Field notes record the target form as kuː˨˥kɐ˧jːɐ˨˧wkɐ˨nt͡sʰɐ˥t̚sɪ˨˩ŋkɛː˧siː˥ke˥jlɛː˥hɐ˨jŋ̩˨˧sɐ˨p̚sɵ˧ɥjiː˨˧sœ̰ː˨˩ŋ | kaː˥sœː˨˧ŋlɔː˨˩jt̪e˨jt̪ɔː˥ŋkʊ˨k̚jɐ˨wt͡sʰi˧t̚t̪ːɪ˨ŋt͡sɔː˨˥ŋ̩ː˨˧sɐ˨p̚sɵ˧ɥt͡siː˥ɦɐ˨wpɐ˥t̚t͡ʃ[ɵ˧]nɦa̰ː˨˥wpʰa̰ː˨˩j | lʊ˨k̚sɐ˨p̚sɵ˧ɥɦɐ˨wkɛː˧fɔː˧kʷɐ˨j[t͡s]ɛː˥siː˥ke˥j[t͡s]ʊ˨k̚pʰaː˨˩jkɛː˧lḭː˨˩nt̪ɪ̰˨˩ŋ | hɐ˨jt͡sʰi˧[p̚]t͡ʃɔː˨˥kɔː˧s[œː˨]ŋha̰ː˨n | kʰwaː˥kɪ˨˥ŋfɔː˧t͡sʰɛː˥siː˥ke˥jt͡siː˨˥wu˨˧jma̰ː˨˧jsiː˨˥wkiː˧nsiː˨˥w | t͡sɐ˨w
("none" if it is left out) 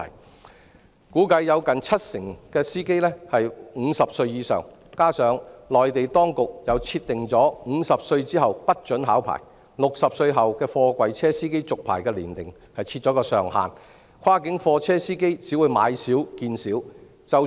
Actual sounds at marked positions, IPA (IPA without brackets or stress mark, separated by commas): ɵ˨˥, t͡sʰ, t͡s, t̚, œː˨